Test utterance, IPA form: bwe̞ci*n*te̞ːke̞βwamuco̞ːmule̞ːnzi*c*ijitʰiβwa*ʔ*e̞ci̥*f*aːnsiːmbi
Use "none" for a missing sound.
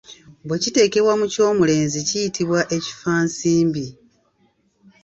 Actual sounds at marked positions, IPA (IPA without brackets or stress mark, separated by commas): none, c, ʔ, f